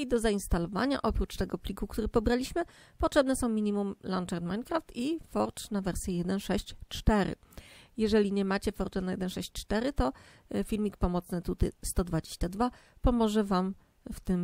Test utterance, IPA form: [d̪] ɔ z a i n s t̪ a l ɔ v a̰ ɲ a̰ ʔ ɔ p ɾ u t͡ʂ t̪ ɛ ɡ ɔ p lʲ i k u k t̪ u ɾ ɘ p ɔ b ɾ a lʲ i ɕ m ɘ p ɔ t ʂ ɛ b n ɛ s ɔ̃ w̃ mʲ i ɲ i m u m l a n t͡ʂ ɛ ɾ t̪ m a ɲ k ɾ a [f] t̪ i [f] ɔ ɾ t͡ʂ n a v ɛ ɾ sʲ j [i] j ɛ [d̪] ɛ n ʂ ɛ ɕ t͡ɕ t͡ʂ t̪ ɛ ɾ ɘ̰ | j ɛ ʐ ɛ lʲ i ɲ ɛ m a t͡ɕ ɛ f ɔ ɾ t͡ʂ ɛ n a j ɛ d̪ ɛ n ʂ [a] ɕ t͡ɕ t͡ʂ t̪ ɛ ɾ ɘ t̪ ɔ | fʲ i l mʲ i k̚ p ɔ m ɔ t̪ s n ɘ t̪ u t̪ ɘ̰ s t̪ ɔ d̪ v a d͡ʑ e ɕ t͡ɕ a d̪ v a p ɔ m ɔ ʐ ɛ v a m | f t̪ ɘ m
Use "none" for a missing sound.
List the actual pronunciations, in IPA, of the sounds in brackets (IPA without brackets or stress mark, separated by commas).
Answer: d̪, f, f, ɛ, d̪, ɛ